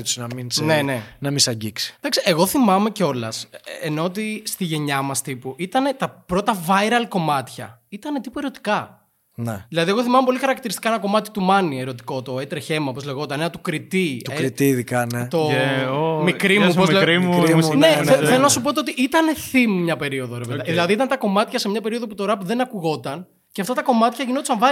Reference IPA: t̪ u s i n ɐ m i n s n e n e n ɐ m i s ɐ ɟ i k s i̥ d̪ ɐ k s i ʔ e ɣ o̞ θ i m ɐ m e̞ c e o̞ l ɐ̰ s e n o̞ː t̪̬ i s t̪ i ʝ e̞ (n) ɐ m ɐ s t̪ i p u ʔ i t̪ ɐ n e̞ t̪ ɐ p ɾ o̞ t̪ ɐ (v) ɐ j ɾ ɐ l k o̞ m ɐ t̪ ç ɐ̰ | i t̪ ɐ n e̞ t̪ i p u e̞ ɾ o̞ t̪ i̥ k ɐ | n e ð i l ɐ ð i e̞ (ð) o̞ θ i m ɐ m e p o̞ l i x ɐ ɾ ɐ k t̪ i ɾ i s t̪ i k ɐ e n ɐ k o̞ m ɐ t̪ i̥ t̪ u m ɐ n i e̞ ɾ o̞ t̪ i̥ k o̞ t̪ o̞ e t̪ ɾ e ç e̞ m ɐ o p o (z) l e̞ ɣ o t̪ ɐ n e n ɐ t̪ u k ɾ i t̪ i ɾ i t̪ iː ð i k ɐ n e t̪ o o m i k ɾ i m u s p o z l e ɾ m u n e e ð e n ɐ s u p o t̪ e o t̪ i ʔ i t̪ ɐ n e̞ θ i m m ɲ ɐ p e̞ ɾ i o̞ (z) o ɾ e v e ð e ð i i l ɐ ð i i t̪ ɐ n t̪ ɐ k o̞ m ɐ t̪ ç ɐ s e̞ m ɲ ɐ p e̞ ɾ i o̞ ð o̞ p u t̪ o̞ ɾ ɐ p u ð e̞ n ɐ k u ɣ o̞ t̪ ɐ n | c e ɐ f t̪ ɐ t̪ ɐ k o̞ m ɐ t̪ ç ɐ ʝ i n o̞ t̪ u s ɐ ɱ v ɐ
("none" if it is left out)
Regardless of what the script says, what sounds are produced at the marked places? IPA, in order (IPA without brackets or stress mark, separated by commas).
ɲ, v, ɣ, z, ð